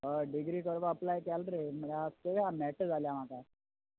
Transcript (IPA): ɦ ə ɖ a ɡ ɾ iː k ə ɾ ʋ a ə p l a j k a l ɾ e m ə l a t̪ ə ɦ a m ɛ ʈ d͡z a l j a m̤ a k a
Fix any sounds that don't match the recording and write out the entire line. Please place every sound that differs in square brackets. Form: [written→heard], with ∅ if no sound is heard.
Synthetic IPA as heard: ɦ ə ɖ [a→i] ɡ ɾ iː k ə ɾ ʋ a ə p l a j k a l ɾ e m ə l a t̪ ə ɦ a m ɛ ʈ d͡z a l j a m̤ a k a